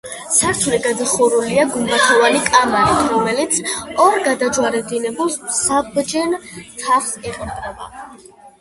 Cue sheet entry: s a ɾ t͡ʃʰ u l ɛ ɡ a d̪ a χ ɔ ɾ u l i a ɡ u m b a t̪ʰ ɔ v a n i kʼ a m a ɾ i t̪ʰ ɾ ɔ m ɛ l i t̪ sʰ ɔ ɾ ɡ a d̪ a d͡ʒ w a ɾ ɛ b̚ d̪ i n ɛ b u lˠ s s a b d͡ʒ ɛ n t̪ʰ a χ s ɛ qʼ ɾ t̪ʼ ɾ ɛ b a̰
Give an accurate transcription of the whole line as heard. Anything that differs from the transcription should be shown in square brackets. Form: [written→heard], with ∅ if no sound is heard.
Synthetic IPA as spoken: s a ɾ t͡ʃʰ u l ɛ ɡ a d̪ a χ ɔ ɾ u l i a ɡ u m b a t̪ʰ ɔ v a n i kʼ a m a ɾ i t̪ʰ ɾ ɔ m ɛ l i t̪ sʰ ɔ ɾ ɡ a d̪ a d͡ʒ w a ɾ ɛ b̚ d̪ i n ɛ b u lˠ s s a b d͡ʒ ɛ n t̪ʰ a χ s ɛ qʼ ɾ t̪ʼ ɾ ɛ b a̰